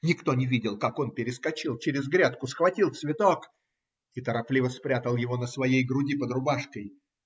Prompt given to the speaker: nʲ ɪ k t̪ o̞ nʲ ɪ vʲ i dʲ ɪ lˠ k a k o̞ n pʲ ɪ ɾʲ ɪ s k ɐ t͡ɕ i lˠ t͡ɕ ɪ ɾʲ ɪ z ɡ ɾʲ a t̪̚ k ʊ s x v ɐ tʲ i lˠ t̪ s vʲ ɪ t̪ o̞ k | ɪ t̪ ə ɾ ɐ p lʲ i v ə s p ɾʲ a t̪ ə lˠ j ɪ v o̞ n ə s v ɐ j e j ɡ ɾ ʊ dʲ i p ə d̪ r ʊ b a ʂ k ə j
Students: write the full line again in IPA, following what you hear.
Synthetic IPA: nʲ ɪ k t̪ o̞ nʲ ɪ vʲ i dʲ ɪ lˠ k a k o̞ n pʲ ɪ ɾʲ ɪ s k ɐ t͡ɕ i lˠ t͡ɕ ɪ ɾʲ ɪ z ɡ ɾʲ a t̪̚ k ʊ s x v ɐ tʲ i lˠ t̪ s vʲ ɪ t̪ o̞ k | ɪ t̪ ə ɾ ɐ p lʲ i v ə s p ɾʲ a t̪ ə lˠ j ɪ v o̞ n ə s v ɐ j e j ɡ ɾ ʊ dʲ i p ə d̪ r ʊ b a ʂ k ə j